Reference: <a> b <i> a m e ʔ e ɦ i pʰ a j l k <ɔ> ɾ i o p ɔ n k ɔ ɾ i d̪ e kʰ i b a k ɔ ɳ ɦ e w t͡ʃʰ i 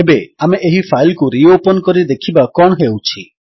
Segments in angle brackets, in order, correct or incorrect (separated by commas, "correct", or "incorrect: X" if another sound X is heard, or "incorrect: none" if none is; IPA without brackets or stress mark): incorrect: e, incorrect: e, incorrect: u